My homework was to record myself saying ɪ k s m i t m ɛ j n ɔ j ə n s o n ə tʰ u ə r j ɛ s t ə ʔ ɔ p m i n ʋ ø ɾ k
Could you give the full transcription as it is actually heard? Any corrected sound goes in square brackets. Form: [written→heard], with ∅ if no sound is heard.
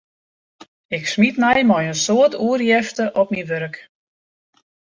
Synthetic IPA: ɪ k s m i t m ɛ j [n→m] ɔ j ə n s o [n→∅] ə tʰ u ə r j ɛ [s→f] t ə ʔ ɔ p m i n ʋ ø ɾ k